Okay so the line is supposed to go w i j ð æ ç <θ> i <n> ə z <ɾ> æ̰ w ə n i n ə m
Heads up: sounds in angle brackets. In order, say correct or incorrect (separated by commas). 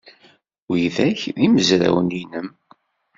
incorrect, incorrect, correct